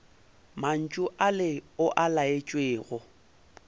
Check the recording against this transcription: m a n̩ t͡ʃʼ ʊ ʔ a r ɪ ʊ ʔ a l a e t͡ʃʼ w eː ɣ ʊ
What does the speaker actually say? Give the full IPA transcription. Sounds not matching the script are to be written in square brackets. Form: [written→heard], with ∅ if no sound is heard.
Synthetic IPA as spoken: m a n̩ t͡ʃʼ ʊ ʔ a [r→l] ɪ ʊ ʔ a l a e t͡ʃʼ w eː ɣ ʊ